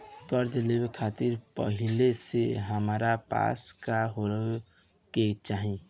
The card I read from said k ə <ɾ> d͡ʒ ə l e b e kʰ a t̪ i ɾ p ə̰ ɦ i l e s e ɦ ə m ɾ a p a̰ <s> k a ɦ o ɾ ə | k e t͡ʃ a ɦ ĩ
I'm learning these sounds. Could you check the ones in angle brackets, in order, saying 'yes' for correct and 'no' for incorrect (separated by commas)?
yes, yes